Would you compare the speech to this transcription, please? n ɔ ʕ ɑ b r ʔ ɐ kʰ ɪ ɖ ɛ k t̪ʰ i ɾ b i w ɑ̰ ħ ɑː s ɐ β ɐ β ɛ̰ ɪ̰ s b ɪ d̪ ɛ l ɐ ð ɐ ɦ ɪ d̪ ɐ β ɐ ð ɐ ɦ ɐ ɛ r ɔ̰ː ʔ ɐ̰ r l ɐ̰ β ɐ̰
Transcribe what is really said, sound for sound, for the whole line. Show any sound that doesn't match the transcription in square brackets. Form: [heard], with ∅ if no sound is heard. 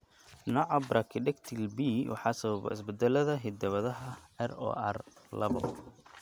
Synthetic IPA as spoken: n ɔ ʕ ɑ b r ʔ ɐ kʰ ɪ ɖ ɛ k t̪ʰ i [l] b i w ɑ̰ ħ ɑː s ɐ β ɐ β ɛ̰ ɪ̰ s b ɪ d̪ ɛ l ɐ ð ɐ ɦ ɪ d̪ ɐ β ɐ ð ɐ ɦ ɐ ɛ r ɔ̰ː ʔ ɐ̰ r l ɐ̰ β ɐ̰